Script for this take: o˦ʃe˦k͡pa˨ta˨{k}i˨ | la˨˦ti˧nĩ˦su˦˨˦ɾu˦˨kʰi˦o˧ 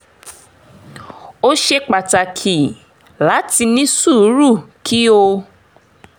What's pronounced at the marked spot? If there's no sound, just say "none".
kʰ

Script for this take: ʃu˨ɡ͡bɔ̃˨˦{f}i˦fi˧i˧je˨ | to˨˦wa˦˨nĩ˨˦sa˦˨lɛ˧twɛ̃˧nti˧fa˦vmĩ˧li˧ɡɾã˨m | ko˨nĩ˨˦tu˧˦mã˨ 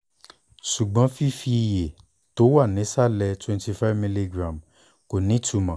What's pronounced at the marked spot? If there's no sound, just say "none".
f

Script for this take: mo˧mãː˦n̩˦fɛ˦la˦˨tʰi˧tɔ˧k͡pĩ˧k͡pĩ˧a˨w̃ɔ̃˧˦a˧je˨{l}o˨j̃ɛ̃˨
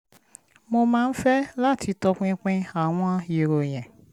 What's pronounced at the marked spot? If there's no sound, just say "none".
ɾ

